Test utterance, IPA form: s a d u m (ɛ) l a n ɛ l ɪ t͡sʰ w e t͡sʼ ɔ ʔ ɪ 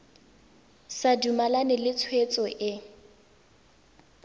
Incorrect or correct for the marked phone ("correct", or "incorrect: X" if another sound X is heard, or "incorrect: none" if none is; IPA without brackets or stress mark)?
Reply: incorrect: a